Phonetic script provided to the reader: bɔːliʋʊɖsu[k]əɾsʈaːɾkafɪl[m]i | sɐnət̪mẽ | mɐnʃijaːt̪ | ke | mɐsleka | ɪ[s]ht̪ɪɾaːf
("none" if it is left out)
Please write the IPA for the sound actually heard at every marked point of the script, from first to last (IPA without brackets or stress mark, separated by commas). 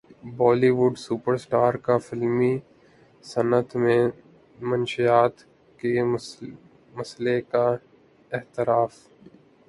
p, m, none